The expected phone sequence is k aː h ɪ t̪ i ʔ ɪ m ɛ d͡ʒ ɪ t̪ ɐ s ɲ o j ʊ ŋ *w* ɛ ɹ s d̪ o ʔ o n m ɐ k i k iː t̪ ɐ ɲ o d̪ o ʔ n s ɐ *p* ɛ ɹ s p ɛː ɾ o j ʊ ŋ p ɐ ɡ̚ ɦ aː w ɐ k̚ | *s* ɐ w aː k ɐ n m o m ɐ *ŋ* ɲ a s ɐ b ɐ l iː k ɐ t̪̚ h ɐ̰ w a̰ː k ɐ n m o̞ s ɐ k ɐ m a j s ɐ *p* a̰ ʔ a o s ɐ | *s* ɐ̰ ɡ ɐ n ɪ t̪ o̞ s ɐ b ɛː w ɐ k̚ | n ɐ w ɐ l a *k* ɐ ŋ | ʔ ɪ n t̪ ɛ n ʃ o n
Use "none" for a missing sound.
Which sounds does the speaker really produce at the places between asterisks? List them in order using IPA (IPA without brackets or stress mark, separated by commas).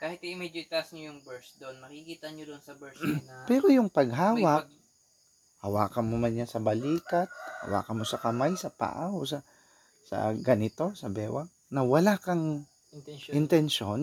b, b, h, n, p, s, k